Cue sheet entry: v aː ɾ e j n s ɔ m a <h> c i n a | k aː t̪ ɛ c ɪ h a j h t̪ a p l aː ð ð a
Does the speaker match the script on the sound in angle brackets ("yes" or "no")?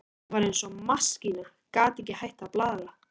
no